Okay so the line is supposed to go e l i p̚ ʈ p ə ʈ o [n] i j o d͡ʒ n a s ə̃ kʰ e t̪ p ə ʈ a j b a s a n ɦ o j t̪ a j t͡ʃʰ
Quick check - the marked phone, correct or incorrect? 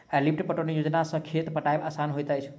correct